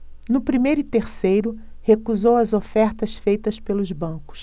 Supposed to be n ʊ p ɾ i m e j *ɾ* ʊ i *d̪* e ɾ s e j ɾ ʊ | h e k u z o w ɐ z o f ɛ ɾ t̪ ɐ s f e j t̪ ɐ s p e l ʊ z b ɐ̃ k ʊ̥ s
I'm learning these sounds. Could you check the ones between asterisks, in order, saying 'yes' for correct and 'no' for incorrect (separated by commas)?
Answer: yes, no